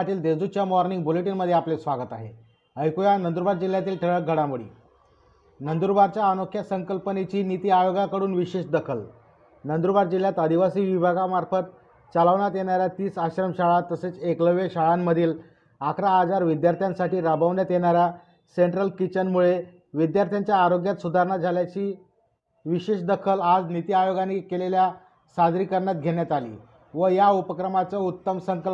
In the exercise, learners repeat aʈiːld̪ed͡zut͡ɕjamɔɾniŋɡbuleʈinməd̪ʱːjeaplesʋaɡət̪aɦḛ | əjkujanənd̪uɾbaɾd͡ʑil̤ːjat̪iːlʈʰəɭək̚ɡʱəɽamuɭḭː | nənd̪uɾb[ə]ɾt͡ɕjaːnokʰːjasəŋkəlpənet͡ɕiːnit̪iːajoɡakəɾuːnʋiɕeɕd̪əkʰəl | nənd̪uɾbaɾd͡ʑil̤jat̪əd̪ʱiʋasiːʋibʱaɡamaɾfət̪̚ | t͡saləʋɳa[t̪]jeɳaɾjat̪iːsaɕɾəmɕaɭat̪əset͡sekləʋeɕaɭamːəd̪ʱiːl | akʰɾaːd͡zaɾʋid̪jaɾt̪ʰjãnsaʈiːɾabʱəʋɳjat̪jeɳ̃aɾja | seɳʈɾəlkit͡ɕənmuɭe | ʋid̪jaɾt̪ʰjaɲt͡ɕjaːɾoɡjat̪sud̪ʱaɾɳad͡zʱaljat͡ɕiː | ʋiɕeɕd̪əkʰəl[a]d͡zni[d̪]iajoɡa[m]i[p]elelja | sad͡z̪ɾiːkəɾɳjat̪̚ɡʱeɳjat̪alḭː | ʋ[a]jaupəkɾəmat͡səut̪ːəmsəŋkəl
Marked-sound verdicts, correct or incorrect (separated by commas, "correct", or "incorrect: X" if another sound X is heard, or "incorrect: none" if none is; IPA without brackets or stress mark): incorrect: a, correct, correct, incorrect: t̪, incorrect: n, incorrect: k, incorrect: ə